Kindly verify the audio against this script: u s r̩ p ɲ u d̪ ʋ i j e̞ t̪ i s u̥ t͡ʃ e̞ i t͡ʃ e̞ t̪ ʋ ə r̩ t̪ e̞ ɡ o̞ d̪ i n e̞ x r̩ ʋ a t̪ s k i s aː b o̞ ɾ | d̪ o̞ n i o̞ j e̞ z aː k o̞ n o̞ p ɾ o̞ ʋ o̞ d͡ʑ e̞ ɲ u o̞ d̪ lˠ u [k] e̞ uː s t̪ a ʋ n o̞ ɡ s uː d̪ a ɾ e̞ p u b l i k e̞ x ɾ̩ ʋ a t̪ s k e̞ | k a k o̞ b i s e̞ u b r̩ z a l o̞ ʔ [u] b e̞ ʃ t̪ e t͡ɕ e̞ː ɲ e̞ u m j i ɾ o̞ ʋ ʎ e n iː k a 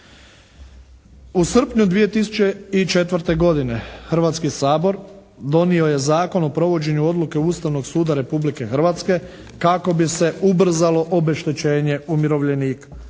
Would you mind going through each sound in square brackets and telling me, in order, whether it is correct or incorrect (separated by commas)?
correct, incorrect